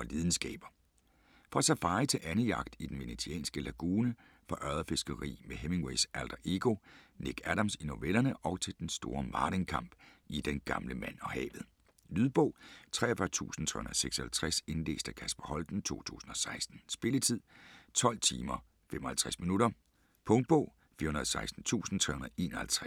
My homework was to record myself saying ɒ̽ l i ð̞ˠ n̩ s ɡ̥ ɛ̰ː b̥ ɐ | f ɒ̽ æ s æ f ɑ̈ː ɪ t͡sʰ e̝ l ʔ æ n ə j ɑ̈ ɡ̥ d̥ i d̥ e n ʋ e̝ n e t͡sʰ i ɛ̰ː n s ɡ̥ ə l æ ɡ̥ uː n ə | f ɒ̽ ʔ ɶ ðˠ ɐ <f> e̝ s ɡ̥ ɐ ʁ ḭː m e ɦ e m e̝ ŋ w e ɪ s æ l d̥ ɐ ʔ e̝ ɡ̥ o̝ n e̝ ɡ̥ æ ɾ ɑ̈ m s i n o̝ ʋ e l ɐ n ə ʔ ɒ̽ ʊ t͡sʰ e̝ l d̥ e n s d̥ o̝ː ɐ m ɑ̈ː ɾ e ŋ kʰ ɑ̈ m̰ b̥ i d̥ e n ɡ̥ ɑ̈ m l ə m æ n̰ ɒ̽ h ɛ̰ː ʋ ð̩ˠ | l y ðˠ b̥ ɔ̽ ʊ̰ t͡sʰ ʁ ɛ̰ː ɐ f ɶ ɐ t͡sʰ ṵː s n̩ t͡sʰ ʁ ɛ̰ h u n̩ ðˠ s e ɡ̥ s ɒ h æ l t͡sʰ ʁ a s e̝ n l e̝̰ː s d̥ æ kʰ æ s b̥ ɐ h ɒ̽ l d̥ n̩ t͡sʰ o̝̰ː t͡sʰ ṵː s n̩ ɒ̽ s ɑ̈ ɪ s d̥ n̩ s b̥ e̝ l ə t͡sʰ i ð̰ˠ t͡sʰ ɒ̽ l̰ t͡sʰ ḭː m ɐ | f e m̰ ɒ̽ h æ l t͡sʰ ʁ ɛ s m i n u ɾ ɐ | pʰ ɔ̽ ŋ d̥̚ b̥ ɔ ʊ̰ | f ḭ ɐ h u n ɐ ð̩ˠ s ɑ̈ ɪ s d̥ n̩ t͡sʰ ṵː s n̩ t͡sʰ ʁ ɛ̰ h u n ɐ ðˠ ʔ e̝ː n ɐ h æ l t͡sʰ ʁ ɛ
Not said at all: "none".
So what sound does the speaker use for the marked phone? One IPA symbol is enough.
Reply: f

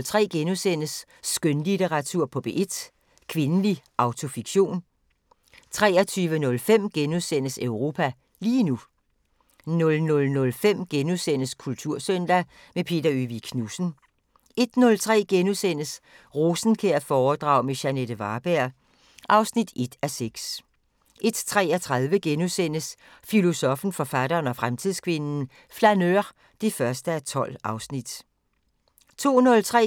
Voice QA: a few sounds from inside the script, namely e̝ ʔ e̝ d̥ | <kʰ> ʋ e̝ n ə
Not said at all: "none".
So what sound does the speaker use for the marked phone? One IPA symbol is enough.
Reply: kʰ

